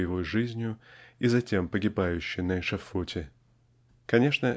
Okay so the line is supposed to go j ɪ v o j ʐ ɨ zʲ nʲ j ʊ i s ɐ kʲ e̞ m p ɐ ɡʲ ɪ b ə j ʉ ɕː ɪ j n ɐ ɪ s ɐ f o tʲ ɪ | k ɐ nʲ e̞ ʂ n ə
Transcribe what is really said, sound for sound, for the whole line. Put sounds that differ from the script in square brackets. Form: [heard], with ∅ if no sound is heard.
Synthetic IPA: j ɪ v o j ʐ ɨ zʲ nʲ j ʊ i [z] ɐ [tʲ] e̞ m p [ə] ɡʲ ɪ b [a] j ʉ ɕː ɪ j n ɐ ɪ [ʂ] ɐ f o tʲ ɪ | k ɐ nʲ e̞ ʂ n ə

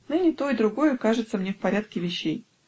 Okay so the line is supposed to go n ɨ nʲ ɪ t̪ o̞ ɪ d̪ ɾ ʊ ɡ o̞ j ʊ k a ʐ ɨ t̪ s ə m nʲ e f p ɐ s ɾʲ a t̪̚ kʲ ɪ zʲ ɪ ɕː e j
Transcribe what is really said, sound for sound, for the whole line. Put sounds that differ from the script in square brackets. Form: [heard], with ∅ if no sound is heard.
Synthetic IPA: n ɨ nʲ ɪ t̪ o̞ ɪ d̪ ɾ ʊ ɡ o̞ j ʊ k a ʐ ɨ t̪ s ə m nʲ e f p ɐ [∅] ɾʲ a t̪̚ kʲ ɪ [vʲ] ɪ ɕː e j

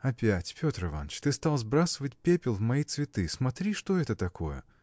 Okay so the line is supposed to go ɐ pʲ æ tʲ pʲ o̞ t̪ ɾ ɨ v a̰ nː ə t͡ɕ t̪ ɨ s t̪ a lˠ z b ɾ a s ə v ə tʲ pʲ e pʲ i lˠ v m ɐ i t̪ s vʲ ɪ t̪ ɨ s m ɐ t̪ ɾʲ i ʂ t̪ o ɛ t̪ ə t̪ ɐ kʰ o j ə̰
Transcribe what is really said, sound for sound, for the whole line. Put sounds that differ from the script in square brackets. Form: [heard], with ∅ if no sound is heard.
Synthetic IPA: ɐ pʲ æ tʲ pʲ o̞ t̪ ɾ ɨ v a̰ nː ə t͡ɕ t̪ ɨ s t̪ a lˠ z b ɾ a s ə v ə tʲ pʲ e pʲ [ɪ] lˠ v m ɐ i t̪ s vʲ ɪ t̪ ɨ s m ɐ t̪ ɾʲ i ʂ t̪ o ɛ t̪ ə t̪ ɐ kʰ o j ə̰

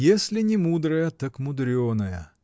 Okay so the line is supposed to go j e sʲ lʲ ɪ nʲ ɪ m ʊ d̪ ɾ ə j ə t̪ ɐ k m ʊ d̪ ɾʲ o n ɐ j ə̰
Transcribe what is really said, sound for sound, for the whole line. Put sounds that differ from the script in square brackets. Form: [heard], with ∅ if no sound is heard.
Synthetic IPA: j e sʲ lʲ ɪ nʲ ɪ m [u] d̪ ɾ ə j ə t̪ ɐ k m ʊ d̪ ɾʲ o n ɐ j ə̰

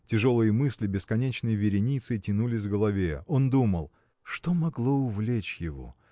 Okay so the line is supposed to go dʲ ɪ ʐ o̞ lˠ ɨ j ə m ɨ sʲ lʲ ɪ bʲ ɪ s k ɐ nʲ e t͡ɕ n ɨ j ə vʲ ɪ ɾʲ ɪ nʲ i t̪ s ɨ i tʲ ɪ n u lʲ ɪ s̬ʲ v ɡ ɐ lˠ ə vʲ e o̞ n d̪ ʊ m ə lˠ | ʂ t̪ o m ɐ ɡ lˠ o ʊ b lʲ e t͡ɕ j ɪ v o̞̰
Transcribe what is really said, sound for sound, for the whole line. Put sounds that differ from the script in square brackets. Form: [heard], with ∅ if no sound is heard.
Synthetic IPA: [tʲ] ɪ ʐ o̞ lˠ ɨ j ə m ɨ sʲ lʲ ɪ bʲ ɪ s k ɐ nʲ e t͡ɕ n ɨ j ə vʲ ɪ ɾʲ ɪ nʲ i t̪ s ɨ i tʲ ɪ n u lʲ ɪ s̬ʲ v ɡ [ə] lˠ [ɐ] vʲ e o̞ n d̪ [u] m ə lˠ | ʂ t̪ o m ɐ ɡ lˠ o ʊ [v] lʲ e t͡ɕ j ɪ v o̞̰

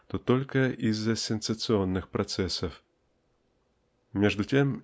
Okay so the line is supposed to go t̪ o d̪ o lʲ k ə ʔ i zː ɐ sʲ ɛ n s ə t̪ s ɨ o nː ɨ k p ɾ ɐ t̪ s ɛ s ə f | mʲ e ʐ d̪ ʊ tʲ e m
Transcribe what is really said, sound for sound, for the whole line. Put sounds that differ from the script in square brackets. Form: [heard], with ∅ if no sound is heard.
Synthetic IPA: t̪ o [t̪] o lʲ k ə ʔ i zː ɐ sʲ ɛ n s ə t̪ s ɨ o nː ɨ [x] p ɾ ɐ t̪ s ɛ s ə f | mʲ e ʐ d̪ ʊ tʲ e m

